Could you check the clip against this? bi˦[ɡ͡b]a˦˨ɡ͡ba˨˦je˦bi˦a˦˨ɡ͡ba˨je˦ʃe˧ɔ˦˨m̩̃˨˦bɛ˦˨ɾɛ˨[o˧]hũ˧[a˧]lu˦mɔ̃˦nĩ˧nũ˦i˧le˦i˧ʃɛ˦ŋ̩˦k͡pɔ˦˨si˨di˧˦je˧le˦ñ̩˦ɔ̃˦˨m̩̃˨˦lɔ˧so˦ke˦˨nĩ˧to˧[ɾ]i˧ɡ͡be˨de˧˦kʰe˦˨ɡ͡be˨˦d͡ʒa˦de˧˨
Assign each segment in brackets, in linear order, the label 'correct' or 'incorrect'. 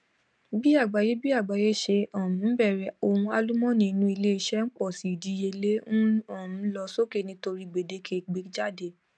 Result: incorrect, correct, correct, correct

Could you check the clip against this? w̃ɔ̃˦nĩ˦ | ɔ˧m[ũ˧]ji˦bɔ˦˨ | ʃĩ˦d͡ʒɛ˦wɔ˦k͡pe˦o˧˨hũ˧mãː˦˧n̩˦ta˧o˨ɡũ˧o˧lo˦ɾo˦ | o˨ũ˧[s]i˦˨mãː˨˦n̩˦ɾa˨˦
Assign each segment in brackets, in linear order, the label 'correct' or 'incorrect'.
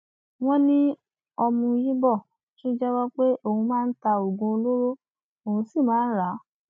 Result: correct, correct

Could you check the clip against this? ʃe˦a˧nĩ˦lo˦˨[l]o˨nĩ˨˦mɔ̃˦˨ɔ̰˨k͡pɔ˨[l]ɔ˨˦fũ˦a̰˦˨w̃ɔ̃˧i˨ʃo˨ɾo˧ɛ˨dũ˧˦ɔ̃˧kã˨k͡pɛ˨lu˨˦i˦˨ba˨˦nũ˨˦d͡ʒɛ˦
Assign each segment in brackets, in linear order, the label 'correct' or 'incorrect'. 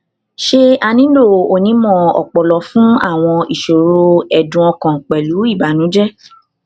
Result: incorrect, correct

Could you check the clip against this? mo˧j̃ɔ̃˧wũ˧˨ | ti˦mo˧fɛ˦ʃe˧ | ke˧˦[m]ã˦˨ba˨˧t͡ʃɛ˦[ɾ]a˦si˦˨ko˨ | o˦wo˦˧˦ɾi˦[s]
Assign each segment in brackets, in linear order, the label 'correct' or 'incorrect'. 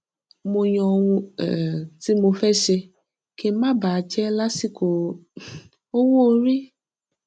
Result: correct, incorrect, incorrect

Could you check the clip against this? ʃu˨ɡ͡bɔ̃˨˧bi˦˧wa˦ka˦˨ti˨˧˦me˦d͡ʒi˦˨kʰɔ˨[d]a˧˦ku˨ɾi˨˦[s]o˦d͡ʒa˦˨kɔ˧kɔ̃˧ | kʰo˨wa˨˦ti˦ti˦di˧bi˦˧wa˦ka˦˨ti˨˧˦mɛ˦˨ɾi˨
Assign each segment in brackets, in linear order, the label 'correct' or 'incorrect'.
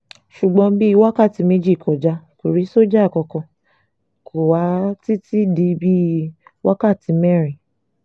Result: incorrect, correct

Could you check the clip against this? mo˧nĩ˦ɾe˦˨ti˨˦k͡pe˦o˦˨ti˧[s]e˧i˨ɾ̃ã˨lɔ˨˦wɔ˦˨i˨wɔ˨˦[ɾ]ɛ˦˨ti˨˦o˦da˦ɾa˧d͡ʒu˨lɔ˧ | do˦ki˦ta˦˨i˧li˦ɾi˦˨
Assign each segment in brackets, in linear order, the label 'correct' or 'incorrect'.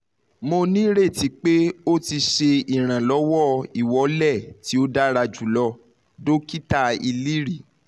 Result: incorrect, incorrect

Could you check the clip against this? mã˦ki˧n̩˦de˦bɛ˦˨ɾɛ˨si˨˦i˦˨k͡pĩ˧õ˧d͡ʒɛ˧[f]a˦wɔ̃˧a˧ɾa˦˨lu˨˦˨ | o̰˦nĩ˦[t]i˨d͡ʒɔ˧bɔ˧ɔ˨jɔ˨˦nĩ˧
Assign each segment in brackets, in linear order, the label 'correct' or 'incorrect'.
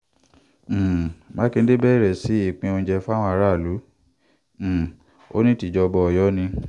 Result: correct, correct

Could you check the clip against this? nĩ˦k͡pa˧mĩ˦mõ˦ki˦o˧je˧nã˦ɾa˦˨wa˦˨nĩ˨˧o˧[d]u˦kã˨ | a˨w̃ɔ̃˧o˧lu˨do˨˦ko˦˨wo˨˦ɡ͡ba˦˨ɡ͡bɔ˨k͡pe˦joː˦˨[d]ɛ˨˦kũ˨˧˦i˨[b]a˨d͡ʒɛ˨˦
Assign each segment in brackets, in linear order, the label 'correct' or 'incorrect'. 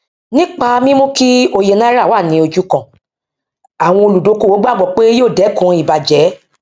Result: incorrect, correct, correct

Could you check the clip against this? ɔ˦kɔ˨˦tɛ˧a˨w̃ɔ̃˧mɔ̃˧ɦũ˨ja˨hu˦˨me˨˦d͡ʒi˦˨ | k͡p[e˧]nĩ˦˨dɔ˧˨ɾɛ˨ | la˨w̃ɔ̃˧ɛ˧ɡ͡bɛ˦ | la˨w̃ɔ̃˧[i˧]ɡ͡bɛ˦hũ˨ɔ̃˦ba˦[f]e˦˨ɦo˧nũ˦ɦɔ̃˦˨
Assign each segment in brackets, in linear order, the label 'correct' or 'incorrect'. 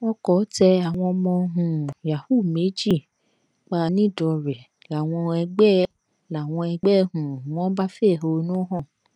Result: incorrect, incorrect, correct

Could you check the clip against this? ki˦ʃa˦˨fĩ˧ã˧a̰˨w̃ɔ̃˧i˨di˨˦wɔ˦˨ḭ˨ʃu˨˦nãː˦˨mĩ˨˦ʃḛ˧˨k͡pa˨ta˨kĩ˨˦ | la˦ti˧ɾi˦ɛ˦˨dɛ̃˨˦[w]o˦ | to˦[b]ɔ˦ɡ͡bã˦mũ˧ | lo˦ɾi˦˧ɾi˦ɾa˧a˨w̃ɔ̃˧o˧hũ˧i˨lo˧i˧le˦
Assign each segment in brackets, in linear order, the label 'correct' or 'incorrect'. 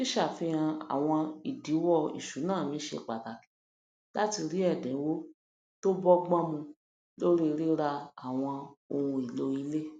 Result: correct, correct

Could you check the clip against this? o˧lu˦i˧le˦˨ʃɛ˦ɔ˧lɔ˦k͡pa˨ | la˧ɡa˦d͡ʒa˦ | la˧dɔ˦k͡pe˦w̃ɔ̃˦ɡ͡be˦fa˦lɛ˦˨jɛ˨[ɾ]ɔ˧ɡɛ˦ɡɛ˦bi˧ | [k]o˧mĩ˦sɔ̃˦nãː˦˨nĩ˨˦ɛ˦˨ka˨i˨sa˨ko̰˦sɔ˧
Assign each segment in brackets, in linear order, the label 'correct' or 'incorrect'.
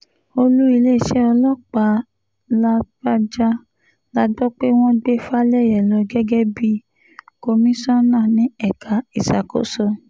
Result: incorrect, correct

